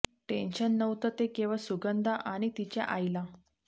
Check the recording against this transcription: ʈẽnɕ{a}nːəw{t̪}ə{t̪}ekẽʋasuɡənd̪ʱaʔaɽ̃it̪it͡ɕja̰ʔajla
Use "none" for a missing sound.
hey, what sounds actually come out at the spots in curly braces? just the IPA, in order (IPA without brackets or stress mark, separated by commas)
ə, t̪, t̪